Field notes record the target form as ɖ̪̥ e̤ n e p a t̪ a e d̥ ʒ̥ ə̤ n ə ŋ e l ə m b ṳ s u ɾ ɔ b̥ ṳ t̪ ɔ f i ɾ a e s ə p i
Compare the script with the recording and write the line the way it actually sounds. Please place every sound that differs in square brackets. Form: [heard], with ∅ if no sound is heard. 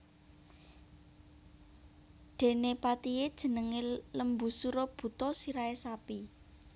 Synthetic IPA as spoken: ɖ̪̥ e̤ n e p a t̪ [i] e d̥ ʒ̥ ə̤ n ə ŋ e l ə m b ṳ s u ɾ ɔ b̥ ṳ t̪ ɔ [s] i ɾ a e s [a] p i